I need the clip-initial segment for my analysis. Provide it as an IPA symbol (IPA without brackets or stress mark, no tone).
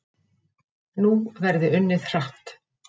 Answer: n